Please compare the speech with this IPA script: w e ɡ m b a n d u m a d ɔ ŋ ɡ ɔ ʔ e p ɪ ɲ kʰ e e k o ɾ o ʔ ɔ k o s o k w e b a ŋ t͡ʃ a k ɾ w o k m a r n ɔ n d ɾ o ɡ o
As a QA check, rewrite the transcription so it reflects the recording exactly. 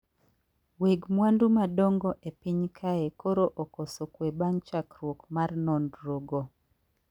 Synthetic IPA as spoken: w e ɡ m w a n d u m a d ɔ ŋ ɡ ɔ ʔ e p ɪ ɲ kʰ a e k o ɾ o ʔ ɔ k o s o k w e b a ŋ t͡ʃ a k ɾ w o k m a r n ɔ n d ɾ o ɡ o